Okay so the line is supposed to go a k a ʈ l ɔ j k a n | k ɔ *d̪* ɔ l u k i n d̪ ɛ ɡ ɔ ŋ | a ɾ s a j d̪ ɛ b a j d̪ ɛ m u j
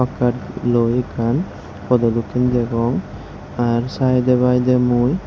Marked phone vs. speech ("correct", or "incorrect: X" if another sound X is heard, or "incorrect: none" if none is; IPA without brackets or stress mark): correct